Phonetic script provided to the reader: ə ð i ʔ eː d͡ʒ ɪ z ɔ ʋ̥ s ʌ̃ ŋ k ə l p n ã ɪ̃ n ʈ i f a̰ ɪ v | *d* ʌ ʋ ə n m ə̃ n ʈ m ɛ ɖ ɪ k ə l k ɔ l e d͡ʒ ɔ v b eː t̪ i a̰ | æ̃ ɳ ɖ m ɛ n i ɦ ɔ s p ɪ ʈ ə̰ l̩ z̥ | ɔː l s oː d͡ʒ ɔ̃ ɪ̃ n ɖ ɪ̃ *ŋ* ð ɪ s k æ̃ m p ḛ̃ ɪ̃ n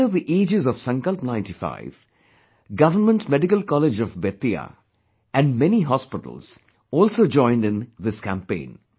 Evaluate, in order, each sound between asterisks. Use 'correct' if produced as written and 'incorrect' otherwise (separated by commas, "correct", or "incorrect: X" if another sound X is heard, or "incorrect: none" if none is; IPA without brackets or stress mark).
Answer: incorrect: ɡ, incorrect: n